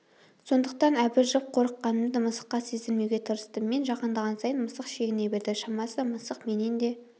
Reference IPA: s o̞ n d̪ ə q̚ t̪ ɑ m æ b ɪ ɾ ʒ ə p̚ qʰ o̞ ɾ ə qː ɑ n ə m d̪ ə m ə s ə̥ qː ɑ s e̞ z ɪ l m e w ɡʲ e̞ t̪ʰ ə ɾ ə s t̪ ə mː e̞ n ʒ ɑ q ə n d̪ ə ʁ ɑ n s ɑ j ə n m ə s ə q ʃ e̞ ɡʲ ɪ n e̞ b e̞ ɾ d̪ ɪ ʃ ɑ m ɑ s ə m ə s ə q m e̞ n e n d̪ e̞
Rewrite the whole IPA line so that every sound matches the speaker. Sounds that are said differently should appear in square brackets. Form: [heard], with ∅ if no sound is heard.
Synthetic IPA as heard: s o̞ n d̪ ə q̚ t̪ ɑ [n] æ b ɪ ɾ ʒ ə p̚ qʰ o̞ ɾ ə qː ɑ n ə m d̪ ə m ə s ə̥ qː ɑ s e̞ z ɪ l m e w ɡʲ e̞ t̪ʰ ə ɾ ə s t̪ ə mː e̞ n ʒ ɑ q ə n d̪ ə ʁ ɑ n s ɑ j ə n m ə s ə q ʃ e̞ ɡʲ ɪ n e̞ b e̞ ɾ d̪ ɪ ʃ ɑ m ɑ s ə m ə s ə q m e̞ n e n d̪ e̞

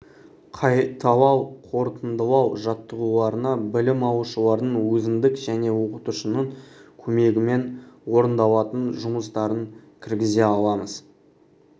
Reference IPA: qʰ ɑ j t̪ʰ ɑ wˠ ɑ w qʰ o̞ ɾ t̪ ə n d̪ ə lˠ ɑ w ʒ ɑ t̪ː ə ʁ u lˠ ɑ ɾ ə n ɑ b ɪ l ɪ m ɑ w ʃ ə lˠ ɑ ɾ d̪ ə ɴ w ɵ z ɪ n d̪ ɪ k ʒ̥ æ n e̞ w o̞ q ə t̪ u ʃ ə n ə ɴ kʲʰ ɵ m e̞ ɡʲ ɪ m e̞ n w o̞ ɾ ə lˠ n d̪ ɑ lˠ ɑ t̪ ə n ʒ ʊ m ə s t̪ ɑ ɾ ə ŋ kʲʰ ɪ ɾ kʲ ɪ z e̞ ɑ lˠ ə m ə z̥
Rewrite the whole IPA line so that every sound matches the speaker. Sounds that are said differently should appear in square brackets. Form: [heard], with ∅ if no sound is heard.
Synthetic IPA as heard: qʰ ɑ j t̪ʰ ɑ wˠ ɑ w qʰ o̞ ɾ t̪ ə n d̪ ə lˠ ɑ w ʒ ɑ t̪ː ə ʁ u lˠ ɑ ɾ ə n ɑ b ɪ l ɪ m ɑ w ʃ ə lˠ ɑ ɾ d̪ ə ɴ w ɵ z ɪ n d̪ ɪ k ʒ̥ æ n e̞ w o̞ q ə t̪ u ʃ ə n ə ɴ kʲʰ ɵ m e̞ ɡʲ ɪ m e̞ n w o̞ ɾ ə [∅] n d̪ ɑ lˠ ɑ t̪ ə n ʒ ʊ m ə s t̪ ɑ ɾ ə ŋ kʲʰ ɪ ɾ [ɡʲ] ɪ z e̞ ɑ lˠ [ɑ] m ə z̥

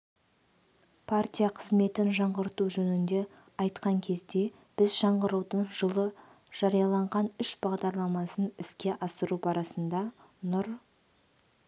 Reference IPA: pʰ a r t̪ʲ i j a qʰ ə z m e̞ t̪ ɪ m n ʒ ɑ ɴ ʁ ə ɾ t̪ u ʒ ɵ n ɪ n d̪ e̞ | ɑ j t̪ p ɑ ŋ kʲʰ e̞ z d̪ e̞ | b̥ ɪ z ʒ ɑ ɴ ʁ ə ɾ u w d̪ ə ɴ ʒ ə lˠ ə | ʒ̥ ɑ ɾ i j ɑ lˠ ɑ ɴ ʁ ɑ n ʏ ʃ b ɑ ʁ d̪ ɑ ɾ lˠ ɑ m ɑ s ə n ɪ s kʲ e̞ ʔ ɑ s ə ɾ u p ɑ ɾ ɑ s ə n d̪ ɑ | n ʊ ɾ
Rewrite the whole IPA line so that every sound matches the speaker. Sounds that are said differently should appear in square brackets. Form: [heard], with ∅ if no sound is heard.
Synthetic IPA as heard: pʰ a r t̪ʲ i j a qʰ ə z m e̞ t̪ ɪ [∅] n ʒ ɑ ɴ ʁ ə ɾ t̪ u ʒ ɵ n ɪ n d̪ e̞ | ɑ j t̪ [q] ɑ ŋ kʲʰ e̞ z d̪ e̞ | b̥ ɪ z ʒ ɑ ɴ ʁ ə ɾ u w d̪ ə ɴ ʒ ə lˠ ə | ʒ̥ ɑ ɾ i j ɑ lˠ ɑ ɴ ʁ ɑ n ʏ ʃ b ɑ ʁ d̪ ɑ ɾ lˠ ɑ m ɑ s ə n ɪ s kʲ e̞ ʔ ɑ s ə ɾ u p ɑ ɾ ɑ s ə n d̪ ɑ | n ʊ ɾ

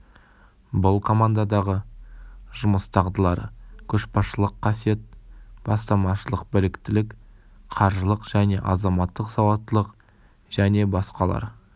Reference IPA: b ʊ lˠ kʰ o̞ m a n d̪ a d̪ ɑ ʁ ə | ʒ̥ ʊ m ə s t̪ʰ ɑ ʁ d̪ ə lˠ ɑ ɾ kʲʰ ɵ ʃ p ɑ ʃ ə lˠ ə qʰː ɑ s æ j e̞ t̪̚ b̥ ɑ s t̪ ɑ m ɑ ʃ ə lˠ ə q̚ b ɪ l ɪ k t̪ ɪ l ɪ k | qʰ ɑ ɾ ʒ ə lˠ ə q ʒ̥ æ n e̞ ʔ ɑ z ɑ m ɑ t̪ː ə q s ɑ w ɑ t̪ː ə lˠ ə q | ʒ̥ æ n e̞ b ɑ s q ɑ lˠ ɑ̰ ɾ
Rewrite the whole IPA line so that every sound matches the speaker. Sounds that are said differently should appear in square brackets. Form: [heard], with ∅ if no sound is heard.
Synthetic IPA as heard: b ʊ lˠ kʰ o̞ m a n d̪ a d̪ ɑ ʁ ə | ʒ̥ ʊ m ə s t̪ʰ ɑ ʁ d̪ ə lˠ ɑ ɾ kʲʰ ɵ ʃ p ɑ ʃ ə lˠ ə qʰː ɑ s [i] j e̞ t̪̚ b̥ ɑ s t̪ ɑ m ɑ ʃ ə lˠ ə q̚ b ɪ l ɪ k t̪ ɪ l ɪ k | qʰ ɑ ɾ ʒ ə lˠ ə q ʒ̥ æ n e̞ ʔ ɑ z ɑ m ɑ t̪ː ə q s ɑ w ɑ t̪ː ə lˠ ə q | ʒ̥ æ n e̞ b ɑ s q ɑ lˠ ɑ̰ ɾ

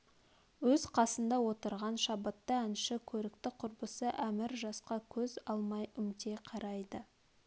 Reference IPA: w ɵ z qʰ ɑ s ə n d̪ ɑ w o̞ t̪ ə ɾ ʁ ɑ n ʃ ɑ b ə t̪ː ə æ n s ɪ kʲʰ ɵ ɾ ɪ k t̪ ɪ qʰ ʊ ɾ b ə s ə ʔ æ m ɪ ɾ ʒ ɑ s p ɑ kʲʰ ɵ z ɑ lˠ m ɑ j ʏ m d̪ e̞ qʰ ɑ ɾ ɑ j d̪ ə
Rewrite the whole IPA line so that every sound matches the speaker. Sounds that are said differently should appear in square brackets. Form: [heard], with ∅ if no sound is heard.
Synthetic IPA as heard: w ɵ z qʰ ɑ s ə n d̪ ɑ w o̞ t̪ ə ɾ ʁ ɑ n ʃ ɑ b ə t̪ː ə æ n [ʃ] ɪ kʲʰ ɵ ɾ ɪ k t̪ ɪ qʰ ʊ ɾ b ə s ə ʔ æ m ɪ ɾ ʒ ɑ s [q] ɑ kʲʰ ɵ z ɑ lˠ m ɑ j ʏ m [t̪] e̞ qʰ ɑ ɾ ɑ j d̪ ə

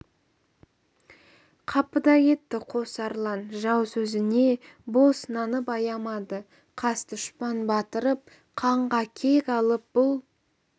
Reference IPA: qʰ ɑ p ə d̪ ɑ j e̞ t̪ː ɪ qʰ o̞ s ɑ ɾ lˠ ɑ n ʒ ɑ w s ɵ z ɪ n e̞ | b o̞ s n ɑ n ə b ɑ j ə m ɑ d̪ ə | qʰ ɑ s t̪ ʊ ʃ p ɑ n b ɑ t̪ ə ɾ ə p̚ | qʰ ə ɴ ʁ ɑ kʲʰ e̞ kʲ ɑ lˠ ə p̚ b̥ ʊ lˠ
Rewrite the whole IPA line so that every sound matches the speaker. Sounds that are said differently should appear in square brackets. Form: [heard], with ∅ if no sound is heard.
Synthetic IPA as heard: qʰ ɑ p ə d̪ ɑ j e̞ t̪ː ɪ qʰ o̞ s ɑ ɾ lˠ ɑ n ʒ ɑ w s ɵ z ɪ n e̞ | b o̞ s n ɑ n ə [p] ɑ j [ɑ] m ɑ d̪ ə | qʰ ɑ s t̪ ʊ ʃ p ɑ n b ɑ t̪ ə ɾ ə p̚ | qʰ [ɑ] ɴ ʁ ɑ kʲʰ e̞ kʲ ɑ lˠ ə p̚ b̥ ʊ lˠ

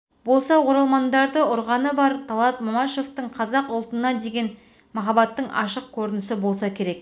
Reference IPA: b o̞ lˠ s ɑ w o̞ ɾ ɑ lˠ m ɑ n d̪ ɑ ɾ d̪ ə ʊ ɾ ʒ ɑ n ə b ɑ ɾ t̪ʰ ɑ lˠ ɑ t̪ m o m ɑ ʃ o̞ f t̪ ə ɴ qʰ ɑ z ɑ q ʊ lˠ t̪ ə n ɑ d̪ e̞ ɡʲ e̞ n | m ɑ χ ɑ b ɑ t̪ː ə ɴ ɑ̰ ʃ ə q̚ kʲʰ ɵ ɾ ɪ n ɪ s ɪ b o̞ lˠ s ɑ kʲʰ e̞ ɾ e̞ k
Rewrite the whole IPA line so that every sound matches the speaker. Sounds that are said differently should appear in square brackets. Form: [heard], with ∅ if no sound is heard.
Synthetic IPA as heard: b o̞ lˠ s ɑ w o̞ ɾ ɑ lˠ m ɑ n d̪ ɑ ɾ d̪ ə ʊ ɾ [ʁ] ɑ n ə b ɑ ɾ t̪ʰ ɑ lˠ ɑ t̪ m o m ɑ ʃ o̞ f t̪ ə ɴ qʰ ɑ z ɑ q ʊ lˠ t̪ ə n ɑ d̪ e̞ ɡʲ e̞ n | m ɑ χ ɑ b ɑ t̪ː ə ɴ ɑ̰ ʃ ə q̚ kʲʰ ɵ ɾ ɪ n ɪ s ɪ b o̞ lˠ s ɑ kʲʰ e̞ ɾ e̞ k

